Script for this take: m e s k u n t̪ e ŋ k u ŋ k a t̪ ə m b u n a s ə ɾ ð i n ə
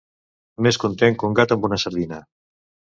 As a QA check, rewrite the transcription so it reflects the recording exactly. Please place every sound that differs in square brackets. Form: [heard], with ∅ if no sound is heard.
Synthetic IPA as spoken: m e s k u n t̪ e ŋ k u ŋ [ɡ] a t̪ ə m b u n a s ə ɾ ð i n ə